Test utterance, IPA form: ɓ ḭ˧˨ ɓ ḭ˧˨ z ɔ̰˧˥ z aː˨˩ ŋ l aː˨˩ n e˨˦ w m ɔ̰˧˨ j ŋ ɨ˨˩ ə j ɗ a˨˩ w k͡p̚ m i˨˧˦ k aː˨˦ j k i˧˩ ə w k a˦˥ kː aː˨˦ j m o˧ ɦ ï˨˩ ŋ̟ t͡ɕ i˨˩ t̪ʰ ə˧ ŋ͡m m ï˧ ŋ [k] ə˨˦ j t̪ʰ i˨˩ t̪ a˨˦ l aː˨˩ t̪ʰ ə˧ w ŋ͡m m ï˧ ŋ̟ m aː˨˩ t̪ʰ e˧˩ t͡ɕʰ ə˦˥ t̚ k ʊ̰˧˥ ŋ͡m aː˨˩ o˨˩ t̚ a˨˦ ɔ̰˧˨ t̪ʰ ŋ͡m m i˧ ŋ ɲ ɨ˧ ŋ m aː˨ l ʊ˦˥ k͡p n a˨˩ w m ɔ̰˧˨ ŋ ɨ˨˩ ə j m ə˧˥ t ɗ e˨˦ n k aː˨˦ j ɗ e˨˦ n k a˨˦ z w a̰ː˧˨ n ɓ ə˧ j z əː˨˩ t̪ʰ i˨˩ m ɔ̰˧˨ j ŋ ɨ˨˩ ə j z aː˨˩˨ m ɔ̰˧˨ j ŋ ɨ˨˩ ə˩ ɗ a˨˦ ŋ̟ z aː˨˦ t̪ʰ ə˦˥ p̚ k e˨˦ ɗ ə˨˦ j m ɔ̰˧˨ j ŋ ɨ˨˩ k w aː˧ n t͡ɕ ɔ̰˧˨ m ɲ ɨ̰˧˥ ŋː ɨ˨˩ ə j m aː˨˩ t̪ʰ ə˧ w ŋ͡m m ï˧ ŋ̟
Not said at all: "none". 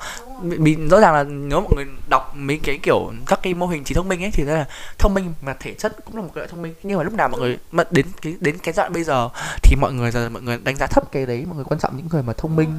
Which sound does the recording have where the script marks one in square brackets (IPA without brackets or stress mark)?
ʔ